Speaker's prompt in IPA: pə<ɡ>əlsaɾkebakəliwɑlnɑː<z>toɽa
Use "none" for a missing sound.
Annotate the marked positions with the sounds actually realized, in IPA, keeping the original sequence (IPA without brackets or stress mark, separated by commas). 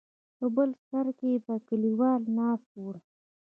b, s